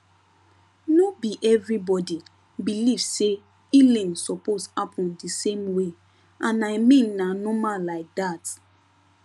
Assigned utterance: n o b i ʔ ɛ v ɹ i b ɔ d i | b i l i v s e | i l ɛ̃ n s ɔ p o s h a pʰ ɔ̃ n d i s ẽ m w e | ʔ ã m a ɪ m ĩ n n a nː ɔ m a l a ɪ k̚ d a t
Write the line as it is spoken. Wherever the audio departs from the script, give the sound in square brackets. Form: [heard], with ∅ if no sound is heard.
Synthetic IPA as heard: n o b i ʔ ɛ v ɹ i b ɔ d i | b i l i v s e | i l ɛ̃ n s ɔ p o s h a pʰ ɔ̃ n d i s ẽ m w e | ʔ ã [n] a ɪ m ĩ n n a [n] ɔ m a l a ɪ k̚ d a t